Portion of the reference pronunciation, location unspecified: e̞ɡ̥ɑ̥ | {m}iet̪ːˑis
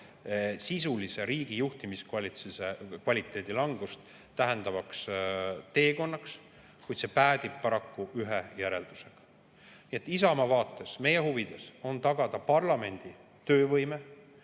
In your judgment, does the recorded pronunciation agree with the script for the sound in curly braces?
no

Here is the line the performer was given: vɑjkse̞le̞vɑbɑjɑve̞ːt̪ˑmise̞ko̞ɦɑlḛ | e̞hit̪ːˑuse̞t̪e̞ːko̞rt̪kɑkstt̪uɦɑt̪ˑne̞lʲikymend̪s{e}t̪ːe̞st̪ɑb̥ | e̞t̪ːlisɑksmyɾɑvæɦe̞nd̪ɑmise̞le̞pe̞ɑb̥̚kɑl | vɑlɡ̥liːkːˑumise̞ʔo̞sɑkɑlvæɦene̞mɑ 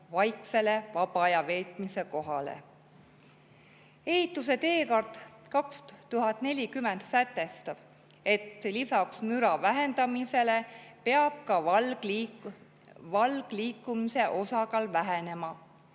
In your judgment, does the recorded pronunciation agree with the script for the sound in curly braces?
no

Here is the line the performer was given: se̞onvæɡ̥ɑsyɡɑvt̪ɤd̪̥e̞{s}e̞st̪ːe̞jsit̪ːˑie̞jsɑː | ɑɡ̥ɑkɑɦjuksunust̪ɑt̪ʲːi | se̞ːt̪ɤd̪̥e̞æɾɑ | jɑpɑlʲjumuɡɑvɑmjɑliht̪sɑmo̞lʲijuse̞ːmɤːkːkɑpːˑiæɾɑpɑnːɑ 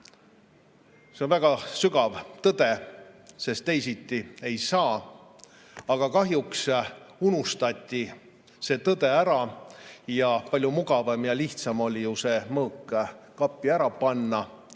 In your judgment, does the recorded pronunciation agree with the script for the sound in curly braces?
yes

